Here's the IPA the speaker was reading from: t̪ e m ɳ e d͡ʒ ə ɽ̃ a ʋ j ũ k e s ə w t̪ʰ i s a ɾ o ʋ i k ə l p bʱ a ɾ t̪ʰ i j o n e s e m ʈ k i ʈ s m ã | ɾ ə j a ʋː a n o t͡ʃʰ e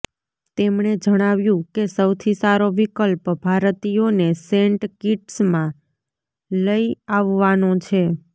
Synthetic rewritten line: t̪ e m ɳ e d͡ʒ ə ɽ̃ a ʋ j ũ k e s ə w t̪ʰ i s a ɾ o ʋ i k ə l p bʱ a ɾ t̪ i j o n e s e ɳ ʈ k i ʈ s m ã | l ə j a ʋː a n o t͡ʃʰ e